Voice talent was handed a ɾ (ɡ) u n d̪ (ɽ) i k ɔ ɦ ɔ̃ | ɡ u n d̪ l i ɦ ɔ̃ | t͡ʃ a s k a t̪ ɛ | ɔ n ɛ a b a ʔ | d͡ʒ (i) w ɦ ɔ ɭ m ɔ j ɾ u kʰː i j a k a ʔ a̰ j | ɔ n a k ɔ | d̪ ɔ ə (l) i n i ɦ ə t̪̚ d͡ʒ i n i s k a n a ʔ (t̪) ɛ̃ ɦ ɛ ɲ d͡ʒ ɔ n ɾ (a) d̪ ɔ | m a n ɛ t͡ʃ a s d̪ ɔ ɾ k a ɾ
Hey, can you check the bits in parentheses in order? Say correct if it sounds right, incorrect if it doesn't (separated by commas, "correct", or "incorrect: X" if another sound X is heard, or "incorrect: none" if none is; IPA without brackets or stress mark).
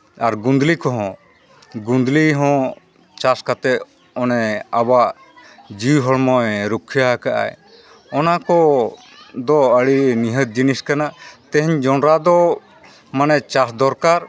correct, incorrect: l, correct, incorrect: ɽ, correct, correct